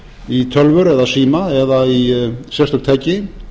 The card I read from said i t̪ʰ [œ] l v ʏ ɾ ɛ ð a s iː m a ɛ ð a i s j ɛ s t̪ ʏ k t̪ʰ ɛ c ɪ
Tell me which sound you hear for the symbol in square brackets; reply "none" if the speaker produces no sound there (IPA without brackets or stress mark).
œ